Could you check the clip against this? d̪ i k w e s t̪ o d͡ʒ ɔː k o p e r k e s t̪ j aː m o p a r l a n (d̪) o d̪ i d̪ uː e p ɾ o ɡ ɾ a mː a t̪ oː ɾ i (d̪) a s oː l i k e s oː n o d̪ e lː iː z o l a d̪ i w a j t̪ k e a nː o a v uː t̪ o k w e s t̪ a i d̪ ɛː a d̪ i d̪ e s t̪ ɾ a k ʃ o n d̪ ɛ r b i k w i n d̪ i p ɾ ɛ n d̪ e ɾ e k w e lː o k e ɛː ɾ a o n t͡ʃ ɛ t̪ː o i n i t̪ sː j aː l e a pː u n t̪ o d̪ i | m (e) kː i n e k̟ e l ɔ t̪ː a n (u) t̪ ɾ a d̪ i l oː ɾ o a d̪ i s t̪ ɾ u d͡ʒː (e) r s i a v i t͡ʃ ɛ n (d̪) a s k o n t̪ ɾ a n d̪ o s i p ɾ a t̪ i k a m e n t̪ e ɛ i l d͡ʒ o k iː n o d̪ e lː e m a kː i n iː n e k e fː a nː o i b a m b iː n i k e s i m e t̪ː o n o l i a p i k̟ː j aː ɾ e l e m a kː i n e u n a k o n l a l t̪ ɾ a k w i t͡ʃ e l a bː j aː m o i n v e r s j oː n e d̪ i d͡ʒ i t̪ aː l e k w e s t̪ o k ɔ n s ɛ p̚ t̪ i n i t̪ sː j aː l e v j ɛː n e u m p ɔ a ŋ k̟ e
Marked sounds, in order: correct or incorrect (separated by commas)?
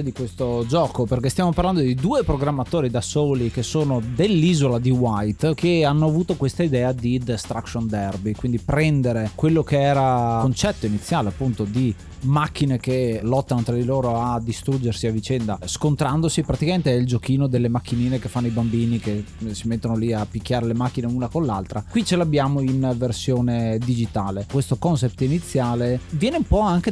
correct, correct, incorrect, incorrect, correct, correct